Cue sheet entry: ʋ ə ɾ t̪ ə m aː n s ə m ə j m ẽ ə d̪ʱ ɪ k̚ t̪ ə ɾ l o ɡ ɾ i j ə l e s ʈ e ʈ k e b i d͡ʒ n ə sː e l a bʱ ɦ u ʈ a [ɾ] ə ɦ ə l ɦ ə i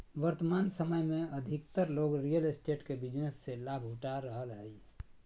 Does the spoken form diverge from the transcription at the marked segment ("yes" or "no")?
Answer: no